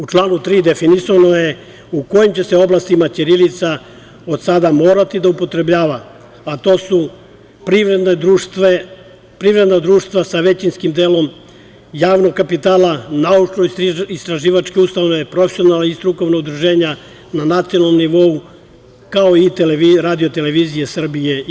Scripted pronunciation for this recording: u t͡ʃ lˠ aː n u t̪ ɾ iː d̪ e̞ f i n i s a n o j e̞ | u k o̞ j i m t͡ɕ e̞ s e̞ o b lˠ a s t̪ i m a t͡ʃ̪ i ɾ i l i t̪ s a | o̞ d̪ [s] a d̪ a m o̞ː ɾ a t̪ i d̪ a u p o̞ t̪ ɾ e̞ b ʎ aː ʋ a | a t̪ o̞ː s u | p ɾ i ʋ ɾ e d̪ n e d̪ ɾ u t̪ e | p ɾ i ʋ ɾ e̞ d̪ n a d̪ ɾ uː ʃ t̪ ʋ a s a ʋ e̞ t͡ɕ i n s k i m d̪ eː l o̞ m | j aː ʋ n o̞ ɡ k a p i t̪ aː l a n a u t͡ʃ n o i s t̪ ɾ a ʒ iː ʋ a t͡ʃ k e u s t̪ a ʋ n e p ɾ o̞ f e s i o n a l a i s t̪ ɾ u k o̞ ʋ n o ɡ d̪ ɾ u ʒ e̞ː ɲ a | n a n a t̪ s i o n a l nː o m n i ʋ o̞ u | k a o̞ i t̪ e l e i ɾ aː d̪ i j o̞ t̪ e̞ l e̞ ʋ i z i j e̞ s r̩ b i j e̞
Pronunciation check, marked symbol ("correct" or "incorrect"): correct